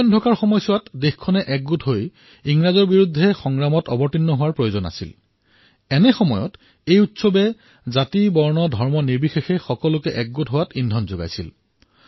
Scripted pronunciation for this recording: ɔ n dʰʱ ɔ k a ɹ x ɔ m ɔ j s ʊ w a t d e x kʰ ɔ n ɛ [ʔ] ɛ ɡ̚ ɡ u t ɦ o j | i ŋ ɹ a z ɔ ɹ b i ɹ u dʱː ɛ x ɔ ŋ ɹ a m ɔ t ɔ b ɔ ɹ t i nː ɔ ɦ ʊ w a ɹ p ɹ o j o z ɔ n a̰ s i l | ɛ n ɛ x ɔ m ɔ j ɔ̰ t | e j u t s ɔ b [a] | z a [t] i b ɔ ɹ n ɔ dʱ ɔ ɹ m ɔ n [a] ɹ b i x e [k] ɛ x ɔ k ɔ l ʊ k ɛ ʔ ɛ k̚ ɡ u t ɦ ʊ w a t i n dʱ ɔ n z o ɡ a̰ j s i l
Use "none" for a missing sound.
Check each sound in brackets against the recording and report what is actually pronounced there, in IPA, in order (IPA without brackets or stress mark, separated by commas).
ʔ, ɛ, t, i, x